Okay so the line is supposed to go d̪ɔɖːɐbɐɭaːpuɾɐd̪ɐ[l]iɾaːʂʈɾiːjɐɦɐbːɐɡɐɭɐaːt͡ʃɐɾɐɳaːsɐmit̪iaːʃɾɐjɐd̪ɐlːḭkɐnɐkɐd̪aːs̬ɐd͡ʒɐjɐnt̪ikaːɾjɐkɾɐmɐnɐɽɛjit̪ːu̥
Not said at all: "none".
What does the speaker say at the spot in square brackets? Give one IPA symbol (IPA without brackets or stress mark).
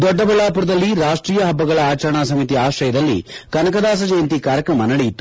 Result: lː